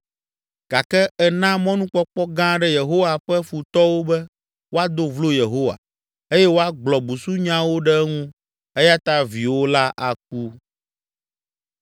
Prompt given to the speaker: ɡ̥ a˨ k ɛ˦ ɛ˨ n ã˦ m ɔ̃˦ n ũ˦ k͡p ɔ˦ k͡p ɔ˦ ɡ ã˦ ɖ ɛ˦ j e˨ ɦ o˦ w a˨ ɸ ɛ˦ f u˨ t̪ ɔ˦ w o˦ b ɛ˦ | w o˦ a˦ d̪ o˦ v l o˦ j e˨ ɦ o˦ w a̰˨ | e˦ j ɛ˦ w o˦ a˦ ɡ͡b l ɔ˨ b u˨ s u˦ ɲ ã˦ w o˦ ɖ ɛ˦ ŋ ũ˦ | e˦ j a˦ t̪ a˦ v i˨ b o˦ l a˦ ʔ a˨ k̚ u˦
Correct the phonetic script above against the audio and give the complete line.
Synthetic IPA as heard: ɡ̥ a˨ k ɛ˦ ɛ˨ n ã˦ m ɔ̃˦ n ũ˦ k͡p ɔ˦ k͡p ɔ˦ ɡ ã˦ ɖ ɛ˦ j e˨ ɦ o˦ w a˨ ɸ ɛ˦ f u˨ t̪ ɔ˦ w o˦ b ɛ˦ | w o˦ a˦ d̪ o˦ v l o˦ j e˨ ɦ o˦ w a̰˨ | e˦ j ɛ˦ w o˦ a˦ ɡ͡b l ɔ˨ b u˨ s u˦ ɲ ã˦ w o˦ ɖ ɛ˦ ŋ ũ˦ | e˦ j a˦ t̪ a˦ v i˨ w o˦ l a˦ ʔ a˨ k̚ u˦